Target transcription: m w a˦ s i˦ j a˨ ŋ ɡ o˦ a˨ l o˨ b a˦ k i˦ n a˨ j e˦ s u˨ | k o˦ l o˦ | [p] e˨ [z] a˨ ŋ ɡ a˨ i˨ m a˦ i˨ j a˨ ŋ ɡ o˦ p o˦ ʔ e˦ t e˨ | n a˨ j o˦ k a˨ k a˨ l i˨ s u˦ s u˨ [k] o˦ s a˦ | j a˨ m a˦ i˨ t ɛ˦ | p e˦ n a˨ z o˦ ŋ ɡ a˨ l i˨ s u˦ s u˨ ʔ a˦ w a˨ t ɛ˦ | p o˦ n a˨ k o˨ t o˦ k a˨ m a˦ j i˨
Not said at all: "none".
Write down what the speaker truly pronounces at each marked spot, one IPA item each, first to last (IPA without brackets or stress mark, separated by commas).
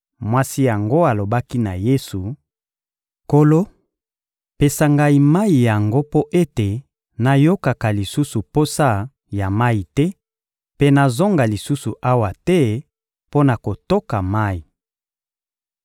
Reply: p, s, p